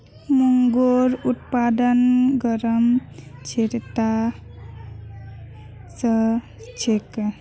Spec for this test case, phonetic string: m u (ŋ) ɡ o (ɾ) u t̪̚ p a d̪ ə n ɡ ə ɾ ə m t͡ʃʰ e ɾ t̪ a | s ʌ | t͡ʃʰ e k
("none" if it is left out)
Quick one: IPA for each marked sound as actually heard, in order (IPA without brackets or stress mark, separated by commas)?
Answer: ŋ, ɾ